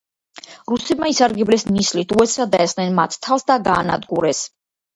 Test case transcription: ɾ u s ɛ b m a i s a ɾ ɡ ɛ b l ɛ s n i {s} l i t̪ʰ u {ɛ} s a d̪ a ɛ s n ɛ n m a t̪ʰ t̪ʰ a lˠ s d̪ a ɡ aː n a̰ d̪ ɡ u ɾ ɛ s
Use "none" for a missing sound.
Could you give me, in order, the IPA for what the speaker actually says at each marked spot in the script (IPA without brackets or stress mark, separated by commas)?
s, ɛ